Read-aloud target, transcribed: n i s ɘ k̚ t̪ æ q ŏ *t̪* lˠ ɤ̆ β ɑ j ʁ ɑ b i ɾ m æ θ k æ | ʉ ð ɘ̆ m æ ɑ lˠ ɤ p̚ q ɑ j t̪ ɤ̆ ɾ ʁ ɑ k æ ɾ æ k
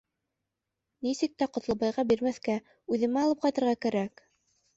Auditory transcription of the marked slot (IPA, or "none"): t̪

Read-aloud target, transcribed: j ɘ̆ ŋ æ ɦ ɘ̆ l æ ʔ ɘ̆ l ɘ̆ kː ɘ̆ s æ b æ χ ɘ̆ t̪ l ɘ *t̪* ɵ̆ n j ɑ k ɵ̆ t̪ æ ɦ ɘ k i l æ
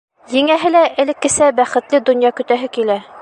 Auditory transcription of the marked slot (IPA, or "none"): d̪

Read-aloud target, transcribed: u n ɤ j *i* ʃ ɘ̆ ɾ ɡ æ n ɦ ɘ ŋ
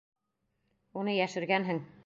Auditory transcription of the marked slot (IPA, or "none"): æ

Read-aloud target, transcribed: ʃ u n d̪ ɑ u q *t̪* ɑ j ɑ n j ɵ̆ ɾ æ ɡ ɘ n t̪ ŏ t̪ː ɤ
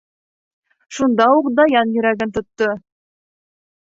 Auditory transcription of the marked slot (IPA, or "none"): d̪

